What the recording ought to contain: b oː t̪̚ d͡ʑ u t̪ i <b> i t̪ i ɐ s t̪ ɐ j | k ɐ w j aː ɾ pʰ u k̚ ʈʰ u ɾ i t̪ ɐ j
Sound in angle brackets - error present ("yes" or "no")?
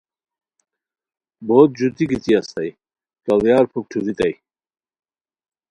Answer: yes